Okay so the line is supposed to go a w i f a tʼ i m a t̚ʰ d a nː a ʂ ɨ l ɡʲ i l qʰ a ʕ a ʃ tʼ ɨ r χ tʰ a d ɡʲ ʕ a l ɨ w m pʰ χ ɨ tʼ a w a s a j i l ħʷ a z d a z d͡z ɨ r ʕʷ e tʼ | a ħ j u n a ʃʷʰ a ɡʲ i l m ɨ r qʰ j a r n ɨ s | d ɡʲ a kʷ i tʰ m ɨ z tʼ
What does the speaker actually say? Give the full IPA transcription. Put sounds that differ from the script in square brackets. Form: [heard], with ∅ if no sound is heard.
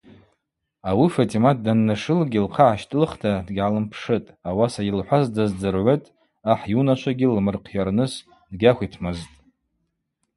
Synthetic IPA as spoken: a w i f a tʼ i m a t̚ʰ d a nː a ʂ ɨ l ɡʲ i l qʰ a ʕ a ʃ tʼ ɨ [l] χ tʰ a d ɡʲ ʕ a l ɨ [∅] m pʰ [ʂ] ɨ tʼ a w a s a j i l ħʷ a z d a z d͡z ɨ r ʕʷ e tʼ | a ħ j u n a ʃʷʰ a ɡʲ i l m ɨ r qʰ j a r n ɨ s | d ɡʲ a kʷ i tʰ m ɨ z tʼ